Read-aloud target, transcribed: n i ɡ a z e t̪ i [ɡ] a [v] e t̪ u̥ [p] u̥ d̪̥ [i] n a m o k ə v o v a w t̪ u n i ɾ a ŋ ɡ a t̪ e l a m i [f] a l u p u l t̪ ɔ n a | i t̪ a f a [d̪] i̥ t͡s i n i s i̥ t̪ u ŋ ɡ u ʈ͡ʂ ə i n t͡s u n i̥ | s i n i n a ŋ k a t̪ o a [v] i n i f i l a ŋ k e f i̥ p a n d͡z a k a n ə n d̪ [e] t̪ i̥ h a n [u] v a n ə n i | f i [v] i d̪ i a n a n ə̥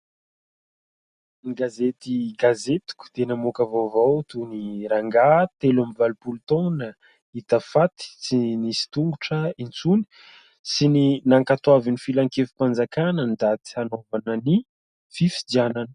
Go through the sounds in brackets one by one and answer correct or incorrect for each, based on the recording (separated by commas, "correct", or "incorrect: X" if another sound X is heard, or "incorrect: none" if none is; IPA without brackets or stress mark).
correct, incorrect: z, incorrect: k, incorrect: e, incorrect: v, incorrect: t̪, correct, incorrect: a, incorrect: o, incorrect: f